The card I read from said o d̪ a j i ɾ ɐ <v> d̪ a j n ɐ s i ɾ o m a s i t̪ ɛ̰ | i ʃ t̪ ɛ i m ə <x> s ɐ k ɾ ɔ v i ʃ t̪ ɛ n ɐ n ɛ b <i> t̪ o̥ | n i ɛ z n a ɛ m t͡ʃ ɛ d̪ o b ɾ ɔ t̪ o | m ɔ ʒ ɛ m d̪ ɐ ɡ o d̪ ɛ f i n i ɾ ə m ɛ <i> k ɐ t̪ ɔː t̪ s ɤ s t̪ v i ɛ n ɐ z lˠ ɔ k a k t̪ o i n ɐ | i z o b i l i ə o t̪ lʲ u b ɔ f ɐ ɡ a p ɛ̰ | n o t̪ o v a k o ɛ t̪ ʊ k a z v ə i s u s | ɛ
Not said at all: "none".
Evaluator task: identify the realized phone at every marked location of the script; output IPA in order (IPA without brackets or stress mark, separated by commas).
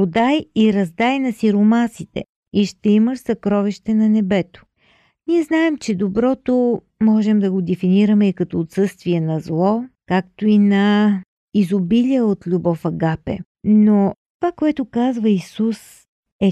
z, ʃ, ɛ, i